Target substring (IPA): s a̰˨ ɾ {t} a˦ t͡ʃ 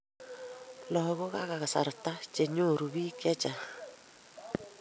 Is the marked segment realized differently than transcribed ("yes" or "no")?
no